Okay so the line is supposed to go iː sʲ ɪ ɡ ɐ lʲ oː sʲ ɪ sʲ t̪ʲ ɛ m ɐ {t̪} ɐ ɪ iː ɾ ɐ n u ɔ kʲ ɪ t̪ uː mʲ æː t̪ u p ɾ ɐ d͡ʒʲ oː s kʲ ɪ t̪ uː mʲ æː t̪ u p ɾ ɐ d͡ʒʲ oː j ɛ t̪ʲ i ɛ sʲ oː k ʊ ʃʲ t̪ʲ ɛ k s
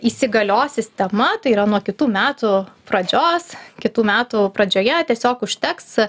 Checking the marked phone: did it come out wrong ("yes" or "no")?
no